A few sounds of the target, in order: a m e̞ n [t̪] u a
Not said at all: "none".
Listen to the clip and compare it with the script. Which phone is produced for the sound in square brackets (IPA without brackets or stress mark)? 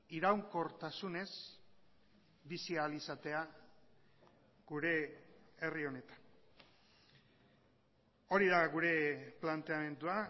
d̪